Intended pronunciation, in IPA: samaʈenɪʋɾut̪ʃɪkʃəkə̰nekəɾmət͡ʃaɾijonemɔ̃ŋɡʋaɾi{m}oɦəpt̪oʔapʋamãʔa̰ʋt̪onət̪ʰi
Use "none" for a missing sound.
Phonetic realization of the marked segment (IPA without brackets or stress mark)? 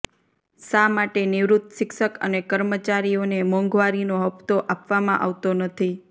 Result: n